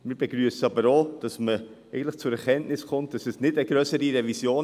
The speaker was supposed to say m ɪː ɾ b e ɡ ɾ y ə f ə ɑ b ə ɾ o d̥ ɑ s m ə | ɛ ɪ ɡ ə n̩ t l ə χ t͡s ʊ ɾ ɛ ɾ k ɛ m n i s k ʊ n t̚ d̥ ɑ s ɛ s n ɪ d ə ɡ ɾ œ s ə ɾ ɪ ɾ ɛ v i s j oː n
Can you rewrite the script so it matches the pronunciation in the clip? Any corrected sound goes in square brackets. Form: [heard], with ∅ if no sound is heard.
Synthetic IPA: m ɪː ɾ b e ɡ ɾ y ə [s] ə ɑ b ə ɾ o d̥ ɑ s m ə | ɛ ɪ ɡ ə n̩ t l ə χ t͡s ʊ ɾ ɛ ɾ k ɛ [n] n [ɪ] s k ʊ n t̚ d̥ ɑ s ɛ s n ɪ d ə ɡ ɾ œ s ə ɾ [i] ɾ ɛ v i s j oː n